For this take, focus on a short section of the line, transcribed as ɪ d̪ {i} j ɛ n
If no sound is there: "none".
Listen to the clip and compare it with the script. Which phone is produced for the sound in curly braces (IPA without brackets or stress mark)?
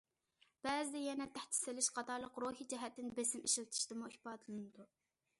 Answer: ɛ